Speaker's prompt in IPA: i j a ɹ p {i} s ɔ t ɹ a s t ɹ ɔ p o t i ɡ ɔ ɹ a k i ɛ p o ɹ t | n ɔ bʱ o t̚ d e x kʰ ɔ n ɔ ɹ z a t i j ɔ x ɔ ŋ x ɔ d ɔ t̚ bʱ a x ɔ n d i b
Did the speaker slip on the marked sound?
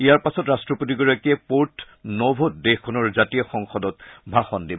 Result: yes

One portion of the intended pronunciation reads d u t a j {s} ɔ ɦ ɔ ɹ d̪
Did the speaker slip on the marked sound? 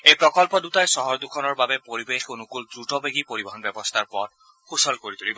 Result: no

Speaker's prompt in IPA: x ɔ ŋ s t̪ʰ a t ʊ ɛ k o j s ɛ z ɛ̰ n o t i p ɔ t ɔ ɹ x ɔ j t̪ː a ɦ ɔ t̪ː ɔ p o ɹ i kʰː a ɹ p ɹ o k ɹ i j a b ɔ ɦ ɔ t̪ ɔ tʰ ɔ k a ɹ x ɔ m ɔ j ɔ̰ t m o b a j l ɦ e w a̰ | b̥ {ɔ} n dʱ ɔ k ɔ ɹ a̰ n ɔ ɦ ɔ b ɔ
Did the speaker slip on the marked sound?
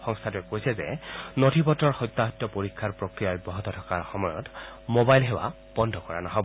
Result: no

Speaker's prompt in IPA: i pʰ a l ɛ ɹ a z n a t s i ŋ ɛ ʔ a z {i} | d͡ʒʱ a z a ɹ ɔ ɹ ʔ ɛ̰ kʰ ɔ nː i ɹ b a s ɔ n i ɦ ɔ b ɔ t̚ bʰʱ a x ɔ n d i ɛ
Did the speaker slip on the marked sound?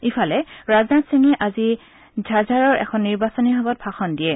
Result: no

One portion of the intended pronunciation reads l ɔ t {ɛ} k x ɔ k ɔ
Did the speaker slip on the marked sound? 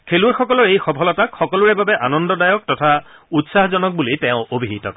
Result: yes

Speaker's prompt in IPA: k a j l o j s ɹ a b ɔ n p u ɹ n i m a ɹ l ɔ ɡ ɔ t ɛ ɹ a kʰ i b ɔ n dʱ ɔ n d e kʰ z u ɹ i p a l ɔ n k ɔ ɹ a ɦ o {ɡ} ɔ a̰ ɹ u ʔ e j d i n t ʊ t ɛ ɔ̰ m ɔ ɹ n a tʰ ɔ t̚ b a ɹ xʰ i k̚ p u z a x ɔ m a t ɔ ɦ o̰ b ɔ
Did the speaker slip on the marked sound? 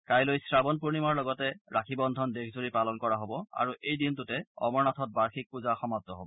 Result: yes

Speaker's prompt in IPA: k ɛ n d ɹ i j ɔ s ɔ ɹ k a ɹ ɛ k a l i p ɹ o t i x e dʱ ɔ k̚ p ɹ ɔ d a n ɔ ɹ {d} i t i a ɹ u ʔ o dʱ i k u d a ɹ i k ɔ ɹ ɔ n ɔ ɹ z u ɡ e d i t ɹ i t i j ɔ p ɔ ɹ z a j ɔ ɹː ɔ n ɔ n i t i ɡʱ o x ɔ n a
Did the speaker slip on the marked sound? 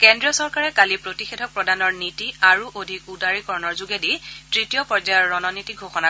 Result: yes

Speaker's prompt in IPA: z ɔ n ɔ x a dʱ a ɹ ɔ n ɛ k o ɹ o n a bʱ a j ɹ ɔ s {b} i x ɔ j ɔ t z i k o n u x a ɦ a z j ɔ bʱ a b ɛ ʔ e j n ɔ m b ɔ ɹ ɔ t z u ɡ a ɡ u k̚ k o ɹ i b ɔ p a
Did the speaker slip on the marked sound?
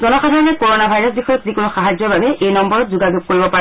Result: no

